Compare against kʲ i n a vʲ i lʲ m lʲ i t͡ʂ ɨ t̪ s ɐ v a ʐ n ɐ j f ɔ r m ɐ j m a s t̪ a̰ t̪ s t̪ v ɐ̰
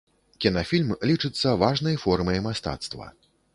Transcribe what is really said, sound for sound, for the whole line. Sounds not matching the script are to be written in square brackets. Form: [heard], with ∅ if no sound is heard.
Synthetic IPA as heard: kʲ i n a [fʲ] i lʲ m lʲ i t͡ʂ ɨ t̪ [sː] ɐ v a ʐ n ɐ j f ɔ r m ɐ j m a s t̪ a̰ t̪ s t̪ v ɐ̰